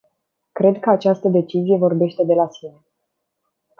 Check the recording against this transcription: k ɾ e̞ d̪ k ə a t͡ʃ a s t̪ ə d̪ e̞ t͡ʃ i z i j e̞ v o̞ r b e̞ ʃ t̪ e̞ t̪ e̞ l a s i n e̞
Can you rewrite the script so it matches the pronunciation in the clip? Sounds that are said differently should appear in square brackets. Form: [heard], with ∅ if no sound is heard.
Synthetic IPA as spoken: k ɾ e̞ d̪ k ə a t͡ʃ a s t̪ ə d̪ e̞ t͡ʃ i z i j e̞ v o̞ r b e̞ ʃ t̪ e̞ [d̪] e̞ l a s i n e̞